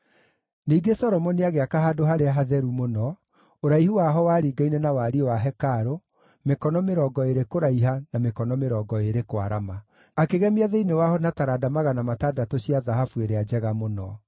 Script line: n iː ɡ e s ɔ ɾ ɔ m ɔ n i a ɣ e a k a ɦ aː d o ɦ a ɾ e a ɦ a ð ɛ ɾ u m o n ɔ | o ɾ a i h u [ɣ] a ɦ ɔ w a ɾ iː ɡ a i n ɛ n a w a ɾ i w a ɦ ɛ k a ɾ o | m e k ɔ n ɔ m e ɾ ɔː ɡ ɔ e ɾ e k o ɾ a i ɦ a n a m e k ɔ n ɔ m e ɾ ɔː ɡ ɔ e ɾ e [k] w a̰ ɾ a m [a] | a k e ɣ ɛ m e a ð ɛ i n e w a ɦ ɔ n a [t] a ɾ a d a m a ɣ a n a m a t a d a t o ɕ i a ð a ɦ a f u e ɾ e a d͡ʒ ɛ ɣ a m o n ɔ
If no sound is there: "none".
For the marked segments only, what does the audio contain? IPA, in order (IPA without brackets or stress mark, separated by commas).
w, k, a, t